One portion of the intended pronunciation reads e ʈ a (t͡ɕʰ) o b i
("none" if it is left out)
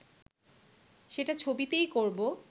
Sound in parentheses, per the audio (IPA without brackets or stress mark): t͡ɕʰ